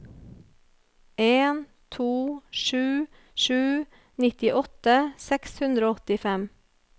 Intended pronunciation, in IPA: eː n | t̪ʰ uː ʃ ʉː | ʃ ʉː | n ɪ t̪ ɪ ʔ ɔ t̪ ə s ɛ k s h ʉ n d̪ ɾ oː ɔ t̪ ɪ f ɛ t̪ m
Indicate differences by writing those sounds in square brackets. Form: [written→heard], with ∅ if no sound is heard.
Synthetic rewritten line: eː n | t̪ʰ uː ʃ ʉː | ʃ ʉː | n ɪ t̪ ɪ ʔ ɔ t̪ ə s ɛ k s h ʉ n d̪ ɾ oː ɔ t̪ ɪ f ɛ [t̪→∅] m